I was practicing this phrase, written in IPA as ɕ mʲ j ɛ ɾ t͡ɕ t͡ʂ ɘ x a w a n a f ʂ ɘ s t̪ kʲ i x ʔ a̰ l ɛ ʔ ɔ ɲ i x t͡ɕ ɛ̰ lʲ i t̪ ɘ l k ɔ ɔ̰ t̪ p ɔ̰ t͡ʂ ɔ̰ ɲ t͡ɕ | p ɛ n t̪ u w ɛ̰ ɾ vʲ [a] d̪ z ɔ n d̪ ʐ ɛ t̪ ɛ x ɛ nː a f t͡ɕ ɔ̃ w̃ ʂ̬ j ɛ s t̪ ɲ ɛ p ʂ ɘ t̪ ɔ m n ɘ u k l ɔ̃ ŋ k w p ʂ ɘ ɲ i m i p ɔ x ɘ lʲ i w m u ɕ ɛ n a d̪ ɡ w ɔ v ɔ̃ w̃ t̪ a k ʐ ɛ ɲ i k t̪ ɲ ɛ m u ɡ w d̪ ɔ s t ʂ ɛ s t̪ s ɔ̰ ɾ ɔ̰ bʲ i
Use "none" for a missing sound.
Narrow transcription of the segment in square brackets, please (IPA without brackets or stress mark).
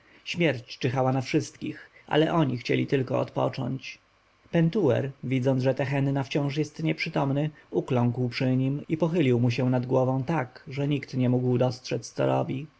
i